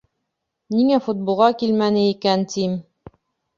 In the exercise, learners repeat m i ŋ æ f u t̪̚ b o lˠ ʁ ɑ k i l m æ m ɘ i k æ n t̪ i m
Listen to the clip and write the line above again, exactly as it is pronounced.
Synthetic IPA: n i ŋ æ f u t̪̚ b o lˠ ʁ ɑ k i l m æ n ɘ i k æ n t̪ i m